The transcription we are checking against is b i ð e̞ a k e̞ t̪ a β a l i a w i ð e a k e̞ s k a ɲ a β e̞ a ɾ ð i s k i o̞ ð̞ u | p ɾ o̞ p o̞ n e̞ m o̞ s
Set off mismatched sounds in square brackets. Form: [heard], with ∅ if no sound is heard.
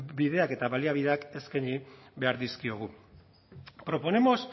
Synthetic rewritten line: b i ð e̞ a k e̞ t̪ a β a l i a [β] i ð e a k e̞ s k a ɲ [i] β e̞ a ɾ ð i s k i o̞ [ɣ̞] u | p ɾ o̞ p o̞ n e̞ m o̞ s